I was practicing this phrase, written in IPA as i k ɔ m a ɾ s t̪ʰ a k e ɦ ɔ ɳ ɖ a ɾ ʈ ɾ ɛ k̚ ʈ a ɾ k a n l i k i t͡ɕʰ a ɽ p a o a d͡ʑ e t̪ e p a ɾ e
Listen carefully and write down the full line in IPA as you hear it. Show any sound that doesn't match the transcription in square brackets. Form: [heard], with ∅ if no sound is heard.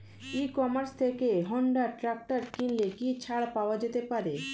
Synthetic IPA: i k ɔ m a ɾ s t̪ʰ [e] k e ɦ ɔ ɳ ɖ a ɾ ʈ ɾ [a] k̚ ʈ a ɾ k [i] n l [e] k i t͡ɕʰ a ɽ p a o a d͡ʑ e t̪ e p a ɾ e